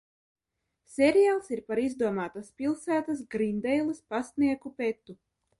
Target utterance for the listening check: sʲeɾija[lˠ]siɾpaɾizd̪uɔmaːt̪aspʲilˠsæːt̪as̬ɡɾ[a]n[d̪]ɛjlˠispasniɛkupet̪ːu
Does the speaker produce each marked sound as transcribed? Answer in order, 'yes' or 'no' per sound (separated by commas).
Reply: yes, no, yes